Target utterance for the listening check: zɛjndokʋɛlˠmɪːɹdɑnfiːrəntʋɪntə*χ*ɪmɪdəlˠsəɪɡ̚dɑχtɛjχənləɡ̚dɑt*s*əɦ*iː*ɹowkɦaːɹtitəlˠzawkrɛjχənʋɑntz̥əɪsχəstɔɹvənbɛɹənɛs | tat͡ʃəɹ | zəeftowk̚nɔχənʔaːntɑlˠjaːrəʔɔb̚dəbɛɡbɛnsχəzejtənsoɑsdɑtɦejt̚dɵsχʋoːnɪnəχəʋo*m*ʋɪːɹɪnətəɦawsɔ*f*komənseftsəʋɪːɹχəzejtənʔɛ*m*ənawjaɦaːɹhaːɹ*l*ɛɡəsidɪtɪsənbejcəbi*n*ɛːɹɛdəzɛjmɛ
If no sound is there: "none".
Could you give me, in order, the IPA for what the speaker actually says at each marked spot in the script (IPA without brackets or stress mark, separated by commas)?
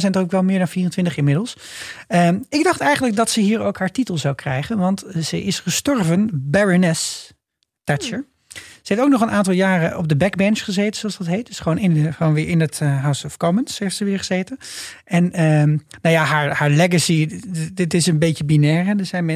χ, s, iː, n, f, n, l, n